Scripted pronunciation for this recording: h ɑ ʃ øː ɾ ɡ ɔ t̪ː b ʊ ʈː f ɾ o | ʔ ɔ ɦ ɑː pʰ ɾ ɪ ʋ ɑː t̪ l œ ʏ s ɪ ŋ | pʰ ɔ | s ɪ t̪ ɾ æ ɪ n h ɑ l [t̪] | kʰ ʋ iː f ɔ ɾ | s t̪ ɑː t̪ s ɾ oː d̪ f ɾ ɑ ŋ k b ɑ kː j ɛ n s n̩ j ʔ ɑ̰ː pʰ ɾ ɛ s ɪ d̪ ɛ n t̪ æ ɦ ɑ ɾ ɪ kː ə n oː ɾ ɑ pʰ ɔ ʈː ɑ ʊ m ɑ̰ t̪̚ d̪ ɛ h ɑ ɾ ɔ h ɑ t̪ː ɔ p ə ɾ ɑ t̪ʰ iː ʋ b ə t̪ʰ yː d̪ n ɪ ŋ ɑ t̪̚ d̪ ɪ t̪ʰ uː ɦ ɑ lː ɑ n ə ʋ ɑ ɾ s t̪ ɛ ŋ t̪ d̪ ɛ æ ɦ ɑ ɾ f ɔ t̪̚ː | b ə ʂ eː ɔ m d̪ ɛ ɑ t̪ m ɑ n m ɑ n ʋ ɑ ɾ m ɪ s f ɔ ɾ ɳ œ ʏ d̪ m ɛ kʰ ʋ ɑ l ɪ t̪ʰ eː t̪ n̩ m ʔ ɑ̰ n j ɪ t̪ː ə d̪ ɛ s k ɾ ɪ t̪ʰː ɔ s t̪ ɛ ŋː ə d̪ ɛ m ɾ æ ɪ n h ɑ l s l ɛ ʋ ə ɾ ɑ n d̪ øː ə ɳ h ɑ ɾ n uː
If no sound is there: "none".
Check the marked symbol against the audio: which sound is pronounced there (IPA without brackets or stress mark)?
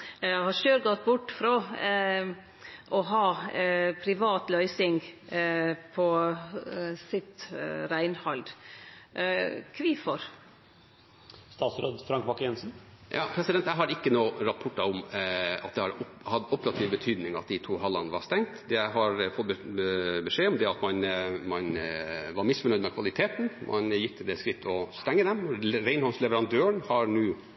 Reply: d̪